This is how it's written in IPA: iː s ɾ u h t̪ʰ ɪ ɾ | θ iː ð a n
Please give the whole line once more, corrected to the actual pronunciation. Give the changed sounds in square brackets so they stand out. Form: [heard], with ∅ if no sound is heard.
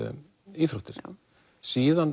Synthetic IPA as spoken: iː [θ] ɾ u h [t̪] ɪ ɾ | [s] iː ð a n